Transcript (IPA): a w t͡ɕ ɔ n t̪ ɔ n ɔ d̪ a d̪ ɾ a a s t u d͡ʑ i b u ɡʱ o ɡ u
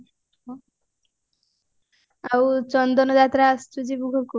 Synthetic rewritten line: a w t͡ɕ ɔ n d̪ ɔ n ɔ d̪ a t̪ ɾ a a s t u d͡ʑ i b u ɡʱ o k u